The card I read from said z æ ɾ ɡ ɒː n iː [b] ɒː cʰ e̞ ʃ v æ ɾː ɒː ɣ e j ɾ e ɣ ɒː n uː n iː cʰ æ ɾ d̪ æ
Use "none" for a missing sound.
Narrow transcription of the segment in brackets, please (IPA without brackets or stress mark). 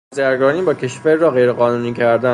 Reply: b